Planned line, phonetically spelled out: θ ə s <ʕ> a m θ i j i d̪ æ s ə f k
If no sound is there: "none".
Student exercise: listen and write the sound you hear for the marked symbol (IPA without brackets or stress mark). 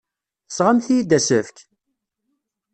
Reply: ʁ